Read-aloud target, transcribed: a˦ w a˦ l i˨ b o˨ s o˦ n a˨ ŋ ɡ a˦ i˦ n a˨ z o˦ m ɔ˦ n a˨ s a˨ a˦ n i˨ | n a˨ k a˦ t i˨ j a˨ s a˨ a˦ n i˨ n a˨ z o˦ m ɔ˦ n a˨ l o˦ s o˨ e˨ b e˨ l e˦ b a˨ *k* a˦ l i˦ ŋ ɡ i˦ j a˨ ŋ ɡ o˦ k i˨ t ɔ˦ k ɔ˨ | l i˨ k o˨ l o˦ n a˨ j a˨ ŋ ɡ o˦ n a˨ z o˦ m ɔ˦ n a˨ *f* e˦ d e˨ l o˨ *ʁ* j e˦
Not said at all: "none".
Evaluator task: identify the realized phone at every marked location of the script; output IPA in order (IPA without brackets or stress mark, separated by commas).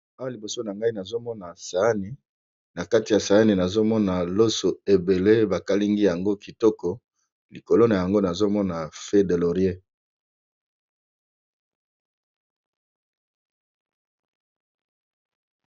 k, f, ʁ